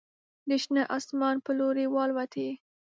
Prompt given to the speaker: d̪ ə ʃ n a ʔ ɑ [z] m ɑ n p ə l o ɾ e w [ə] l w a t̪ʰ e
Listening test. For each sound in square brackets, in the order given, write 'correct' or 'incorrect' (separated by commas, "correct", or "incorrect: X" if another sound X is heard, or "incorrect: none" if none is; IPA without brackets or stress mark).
incorrect: s, incorrect: ɑ